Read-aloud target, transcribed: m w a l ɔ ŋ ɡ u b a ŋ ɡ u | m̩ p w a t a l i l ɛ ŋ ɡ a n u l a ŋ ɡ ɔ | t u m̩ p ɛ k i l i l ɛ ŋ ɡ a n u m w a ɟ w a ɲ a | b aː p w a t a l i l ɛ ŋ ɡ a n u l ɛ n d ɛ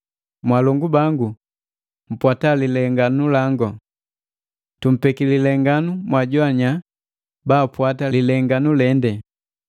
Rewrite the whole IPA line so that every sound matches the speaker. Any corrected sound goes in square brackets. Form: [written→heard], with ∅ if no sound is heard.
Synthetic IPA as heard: m w a l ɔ ŋ ɡ u b a ŋ ɡ u | m̩ p w a t a l i l ɛ ŋ ɡ a n u l a ŋ ɡ ɔ | t u m̩ p ɛ k i l i l ɛ ŋ ɡ a n u m w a ɟ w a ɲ a | b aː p w a t a l i l ɛ ŋ ɡ a n u l ɛ n d ɛ

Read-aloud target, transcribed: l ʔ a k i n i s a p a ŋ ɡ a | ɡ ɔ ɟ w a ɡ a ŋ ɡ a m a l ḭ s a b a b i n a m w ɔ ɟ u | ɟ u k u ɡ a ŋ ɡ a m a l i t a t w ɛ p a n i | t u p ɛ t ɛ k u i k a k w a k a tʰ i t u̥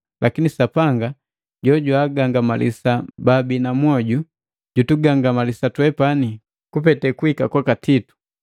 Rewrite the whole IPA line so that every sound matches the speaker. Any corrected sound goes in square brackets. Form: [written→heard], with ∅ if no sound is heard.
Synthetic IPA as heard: l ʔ a k i n i s a p a ŋ ɡ a | [ɡ→ɟ] ɔ ɟ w a ɡ a ŋ ɡ a m a l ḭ s a b a b i n a m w ɔ ɟ u | ɟ u [k→t] u ɡ a ŋ ɡ a m a l i [t→s] a t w ɛ p a n i | [t→k] u p ɛ t ɛ k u i k a k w a k a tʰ i t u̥

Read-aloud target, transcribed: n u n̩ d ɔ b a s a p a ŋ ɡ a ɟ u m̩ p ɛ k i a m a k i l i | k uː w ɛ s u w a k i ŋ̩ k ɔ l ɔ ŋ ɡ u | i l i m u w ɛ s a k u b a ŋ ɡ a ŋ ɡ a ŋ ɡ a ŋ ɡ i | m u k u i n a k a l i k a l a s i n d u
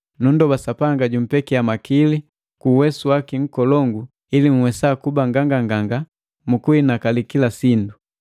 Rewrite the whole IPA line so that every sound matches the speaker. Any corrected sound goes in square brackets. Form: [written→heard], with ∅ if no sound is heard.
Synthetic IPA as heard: n u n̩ d ɔ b a s a p a ŋ ɡ a ɟ u m̩ p ɛ k i a m a k i l i | k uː w ɛ s u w a k i ŋ̩ k ɔ l ɔ ŋ ɡ u | i l i m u w ɛ s a k u b a ŋ ɡ a ŋ ɡ a ŋ ɡ a ŋ ɡ [i→a] | m u k u i n a k a l i k [a→i] l a s i n d u

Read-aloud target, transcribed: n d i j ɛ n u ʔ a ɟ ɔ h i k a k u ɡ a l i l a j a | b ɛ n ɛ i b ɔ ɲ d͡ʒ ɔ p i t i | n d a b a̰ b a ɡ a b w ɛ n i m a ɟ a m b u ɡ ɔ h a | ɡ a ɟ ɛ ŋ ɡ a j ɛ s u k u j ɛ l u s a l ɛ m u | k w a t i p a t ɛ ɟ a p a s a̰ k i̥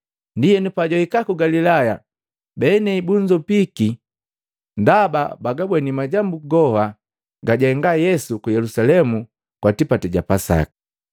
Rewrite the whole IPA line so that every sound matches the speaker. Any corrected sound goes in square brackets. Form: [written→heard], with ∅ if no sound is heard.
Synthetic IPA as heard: n d i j ɛ n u [ʔ→p] a ɟ ɔ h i k a k u ɡ a l i l a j a | b ɛ n ɛ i b [ɔ→u] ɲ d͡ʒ ɔ p i [t→k] i | n d a b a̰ b a ɡ a b w ɛ n i m a ɟ a m b u ɡ ɔ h a | ɡ a ɟ ɛ ŋ ɡ a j ɛ s u k u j ɛ l u s a l ɛ m u | k w a t i p a t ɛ ɟ a p a s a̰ k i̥

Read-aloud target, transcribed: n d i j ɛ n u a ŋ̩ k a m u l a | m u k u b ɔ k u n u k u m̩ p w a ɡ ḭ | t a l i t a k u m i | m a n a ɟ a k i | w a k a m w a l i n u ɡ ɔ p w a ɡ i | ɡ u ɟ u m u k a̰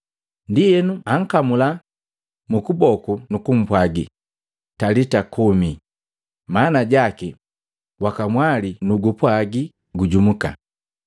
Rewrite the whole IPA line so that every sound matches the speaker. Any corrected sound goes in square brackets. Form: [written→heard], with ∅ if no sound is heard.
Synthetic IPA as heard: n d i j ɛ n u a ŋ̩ k a m u l a | m u k u b ɔ k u n u k u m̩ p w a ɡ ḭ | t a l i t a k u m i | m a n a ɟ a k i | w a k a m w a l i n u ɡ [ɔ→u] p w a ɡ i | ɡ u ɟ u m u k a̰

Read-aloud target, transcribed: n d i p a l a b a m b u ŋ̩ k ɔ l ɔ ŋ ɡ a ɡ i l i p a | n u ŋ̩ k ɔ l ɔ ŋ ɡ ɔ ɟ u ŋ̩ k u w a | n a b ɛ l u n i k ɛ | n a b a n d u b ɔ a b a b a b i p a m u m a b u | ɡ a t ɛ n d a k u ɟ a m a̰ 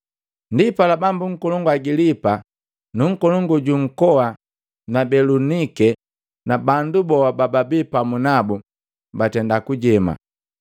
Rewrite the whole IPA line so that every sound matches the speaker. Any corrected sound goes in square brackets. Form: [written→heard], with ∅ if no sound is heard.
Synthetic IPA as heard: n d i p a l a b a m b u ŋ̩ k ɔ l ɔ ŋ ɡ a ɡ i l i p a | n u ŋ̩ k ɔ l ɔ ŋ ɡ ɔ ɟ u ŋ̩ k [u→ɔ] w a | n a b ɛ l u n i k ɛ | n a b a n d u b ɔ a b a b a b i p a m u [m→n] a b u | [ɡ→b] a t ɛ n d a k u ɟ [a→ɛ] m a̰

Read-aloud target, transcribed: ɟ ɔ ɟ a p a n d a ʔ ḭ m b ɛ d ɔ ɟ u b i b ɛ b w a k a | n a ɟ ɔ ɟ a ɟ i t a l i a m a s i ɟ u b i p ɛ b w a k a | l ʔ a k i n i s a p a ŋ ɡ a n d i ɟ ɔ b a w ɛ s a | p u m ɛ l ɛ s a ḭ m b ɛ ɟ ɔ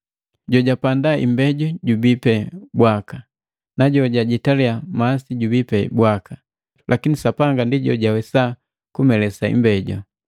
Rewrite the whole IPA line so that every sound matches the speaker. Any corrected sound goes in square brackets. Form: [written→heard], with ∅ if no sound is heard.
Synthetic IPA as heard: ɟ ɔ ɟ a p a n d a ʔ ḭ m b ɛ [d→ɟ] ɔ ɟ u b i [b→p] ɛ b w a k a | n a ɟ ɔ ɟ a ɟ i t a l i a m a s i ɟ u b i p ɛ b w a k a | l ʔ a k i n i s a p a ŋ ɡ a n d i ɟ ɔ [b→ɟ] a w ɛ s a | [p→k] u m ɛ l ɛ s a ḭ m b ɛ ɟ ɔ

